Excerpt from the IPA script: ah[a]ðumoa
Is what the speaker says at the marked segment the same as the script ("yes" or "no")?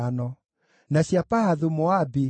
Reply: yes